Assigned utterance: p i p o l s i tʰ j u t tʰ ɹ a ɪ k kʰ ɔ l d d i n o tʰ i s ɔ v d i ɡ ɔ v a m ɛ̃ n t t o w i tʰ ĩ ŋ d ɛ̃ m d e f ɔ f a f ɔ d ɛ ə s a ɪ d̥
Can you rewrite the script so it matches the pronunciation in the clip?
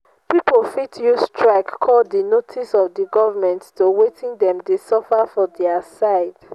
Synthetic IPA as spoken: p i p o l f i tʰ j u s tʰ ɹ a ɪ k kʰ ɔ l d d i n o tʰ i s ɔ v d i ɡ ɔ v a m ɛ̃ n t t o w e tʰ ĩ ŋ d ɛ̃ m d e s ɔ f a f ɔ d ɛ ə s a ɪ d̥